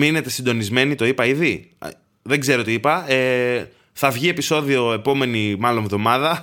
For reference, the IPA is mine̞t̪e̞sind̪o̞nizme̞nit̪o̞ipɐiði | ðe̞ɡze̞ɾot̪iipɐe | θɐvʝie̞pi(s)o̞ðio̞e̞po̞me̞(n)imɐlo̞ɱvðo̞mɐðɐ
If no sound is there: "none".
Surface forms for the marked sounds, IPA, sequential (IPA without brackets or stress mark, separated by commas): s, n